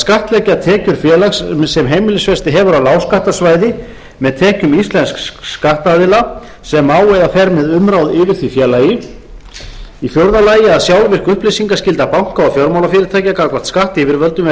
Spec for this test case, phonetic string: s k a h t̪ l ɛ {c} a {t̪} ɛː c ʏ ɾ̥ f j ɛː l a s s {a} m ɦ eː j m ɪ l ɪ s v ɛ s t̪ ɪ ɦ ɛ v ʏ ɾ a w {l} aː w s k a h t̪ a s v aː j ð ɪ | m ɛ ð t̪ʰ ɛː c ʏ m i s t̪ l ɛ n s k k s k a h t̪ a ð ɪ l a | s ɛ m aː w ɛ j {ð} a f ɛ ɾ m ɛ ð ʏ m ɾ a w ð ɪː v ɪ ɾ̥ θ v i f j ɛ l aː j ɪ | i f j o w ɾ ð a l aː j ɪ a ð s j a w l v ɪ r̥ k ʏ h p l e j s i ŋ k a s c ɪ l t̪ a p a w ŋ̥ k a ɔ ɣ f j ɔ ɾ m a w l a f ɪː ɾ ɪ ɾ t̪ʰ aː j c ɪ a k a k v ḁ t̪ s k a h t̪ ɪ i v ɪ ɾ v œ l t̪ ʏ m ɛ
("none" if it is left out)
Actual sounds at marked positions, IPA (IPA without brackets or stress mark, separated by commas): c, t̪ʰ, ɛ, l, ð